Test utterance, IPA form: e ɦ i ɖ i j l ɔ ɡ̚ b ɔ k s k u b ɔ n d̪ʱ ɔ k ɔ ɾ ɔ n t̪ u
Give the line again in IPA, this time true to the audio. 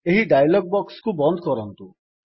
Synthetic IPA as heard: e ɦ i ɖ a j l ɔ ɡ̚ b ɔ k s k u b ɔ n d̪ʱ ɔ k ɔ ɾ ɔ n t̪ u

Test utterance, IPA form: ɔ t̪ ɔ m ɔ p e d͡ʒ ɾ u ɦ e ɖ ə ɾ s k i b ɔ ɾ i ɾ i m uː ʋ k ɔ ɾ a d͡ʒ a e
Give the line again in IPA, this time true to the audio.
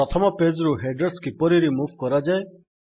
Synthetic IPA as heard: ɔ t̪ʰ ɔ m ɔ p e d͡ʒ ɾ u ɦ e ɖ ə ɾ s k i p ɔ ɾ i ɾ i m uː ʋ k ɔ ɾ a d͡ʒ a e

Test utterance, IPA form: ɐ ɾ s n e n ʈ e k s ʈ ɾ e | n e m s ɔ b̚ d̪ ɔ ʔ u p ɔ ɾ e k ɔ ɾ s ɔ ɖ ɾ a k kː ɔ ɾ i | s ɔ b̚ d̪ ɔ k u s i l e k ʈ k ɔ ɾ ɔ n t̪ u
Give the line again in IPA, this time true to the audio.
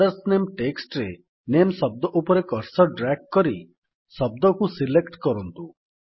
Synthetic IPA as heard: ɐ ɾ s n e m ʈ e k s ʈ ɾ e | n e m s ɔ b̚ d̪ ɔ ʔ u p ɔ ɾ e k ɔ ɾ s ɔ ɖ ɾ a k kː ɔ ɾ i | s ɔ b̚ d̪ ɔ k u s i l e k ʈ k ɔ ɾ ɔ n t̪ u

